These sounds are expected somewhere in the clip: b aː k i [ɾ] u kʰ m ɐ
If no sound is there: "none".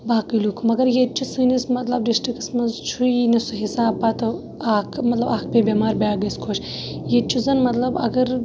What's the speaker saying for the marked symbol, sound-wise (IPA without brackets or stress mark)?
l